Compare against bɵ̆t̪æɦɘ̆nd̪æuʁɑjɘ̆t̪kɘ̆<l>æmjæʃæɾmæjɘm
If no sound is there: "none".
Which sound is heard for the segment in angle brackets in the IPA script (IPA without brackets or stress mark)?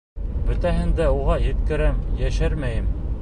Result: ɾ